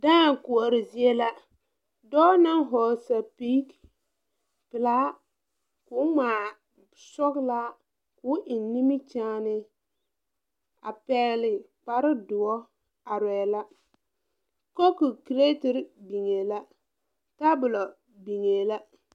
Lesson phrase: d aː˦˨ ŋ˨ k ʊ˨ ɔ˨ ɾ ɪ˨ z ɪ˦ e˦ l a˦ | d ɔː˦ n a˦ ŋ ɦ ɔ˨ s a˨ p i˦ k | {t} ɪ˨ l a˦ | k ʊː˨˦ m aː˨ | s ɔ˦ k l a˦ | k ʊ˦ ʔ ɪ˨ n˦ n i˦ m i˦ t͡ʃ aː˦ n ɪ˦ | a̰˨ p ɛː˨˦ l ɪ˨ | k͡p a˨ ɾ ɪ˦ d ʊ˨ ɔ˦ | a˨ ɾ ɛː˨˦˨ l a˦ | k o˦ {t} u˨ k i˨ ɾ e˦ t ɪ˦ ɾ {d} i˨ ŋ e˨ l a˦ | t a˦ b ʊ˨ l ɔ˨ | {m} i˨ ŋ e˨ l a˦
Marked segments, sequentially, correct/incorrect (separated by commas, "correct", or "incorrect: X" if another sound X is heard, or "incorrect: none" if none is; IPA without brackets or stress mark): incorrect: p, incorrect: k, incorrect: b, incorrect: b